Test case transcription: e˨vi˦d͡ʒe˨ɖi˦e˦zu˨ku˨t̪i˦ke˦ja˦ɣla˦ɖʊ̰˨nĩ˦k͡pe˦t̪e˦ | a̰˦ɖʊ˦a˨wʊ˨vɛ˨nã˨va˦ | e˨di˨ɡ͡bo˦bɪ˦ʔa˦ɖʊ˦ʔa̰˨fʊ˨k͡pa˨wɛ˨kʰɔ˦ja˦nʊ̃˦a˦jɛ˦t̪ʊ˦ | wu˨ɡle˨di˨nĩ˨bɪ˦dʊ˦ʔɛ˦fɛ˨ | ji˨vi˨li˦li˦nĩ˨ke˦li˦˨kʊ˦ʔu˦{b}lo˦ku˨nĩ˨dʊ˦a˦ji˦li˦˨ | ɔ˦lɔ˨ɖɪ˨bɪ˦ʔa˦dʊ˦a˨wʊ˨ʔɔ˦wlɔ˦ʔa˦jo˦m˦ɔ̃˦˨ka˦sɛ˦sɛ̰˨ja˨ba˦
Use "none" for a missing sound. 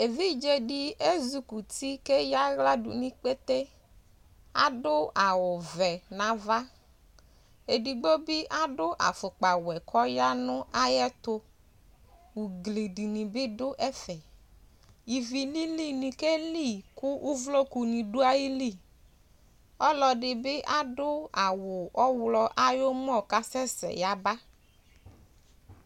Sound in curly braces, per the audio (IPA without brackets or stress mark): v